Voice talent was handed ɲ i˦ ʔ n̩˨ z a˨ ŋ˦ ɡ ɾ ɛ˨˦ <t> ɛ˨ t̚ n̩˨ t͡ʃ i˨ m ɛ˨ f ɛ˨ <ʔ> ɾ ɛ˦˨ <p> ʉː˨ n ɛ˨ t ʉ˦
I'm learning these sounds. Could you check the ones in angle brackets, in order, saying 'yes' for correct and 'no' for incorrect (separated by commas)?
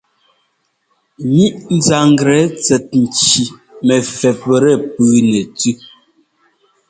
no, no, yes